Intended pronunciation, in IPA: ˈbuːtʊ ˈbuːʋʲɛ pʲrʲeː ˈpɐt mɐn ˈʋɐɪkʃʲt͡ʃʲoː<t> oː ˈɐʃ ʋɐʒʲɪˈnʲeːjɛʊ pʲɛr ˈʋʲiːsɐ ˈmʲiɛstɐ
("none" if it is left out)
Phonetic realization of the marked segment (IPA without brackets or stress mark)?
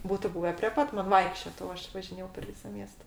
t